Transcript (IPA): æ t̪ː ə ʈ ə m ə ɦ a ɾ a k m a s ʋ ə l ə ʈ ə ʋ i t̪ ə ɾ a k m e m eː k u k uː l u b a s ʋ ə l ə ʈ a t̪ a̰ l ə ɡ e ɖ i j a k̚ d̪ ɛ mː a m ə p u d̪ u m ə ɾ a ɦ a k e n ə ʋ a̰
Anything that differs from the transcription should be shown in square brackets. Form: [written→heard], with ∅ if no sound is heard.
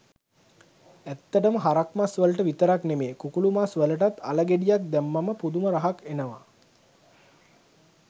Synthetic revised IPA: æ t̪ː ə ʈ ə m ə ɦ a ɾ a k m a s ʋ ə l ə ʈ ə ʋ i t̪ ə ɾ a k [m→n] e m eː k u k [uː→u] l u [b→m] a s ʋ ə l ə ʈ a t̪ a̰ l ə ɡ e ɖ i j a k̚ d̪ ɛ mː a m ə p u d̪ u m ə ɾ a ɦ a k e n ə ʋ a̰